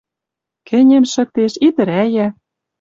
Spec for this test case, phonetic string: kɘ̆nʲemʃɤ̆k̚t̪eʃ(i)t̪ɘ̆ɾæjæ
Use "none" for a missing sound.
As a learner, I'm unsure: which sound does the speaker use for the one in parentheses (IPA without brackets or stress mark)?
i